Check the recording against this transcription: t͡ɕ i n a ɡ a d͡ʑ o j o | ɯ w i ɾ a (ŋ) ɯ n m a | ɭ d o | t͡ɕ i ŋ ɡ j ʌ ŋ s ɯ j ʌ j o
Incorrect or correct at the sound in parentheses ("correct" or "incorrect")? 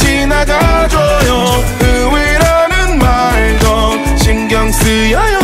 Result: incorrect